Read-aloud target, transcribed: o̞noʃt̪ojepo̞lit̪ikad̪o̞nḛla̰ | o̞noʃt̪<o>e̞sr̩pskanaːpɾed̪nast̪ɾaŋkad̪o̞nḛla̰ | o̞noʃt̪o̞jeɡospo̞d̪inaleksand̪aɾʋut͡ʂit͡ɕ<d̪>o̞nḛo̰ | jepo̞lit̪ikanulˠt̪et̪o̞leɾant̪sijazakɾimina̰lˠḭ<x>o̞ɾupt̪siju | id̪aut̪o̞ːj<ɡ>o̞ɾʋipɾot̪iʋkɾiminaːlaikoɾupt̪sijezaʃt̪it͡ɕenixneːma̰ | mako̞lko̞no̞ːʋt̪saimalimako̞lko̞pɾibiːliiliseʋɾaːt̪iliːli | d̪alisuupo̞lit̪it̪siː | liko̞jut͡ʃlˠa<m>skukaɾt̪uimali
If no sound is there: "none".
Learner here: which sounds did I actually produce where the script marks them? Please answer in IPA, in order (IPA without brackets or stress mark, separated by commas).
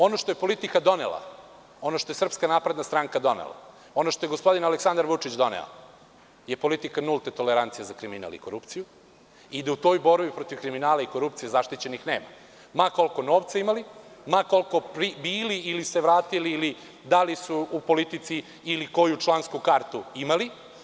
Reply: o, d̪, k, b, n